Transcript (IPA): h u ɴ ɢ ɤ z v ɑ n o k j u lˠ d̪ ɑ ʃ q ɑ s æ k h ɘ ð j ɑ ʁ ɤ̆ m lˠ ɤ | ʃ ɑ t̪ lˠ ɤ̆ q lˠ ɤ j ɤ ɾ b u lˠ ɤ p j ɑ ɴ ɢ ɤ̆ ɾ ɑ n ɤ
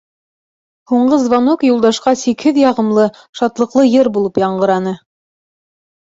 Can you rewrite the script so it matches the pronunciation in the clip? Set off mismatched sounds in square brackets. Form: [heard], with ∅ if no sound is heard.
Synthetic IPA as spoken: h u ɴ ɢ ɤ z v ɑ n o k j u lˠ d̪ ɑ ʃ q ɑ s [i] k h ɘ ð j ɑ ʁ ɤ̆ m lˠ ɤ | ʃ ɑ t̪ lˠ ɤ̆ q lˠ ɤ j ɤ ɾ b u lˠ ɤ p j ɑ ɴ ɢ ɤ̆ ɾ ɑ n ɤ